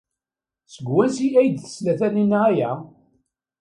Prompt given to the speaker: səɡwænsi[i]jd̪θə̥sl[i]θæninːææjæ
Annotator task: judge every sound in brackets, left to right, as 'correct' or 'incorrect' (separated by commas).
incorrect, incorrect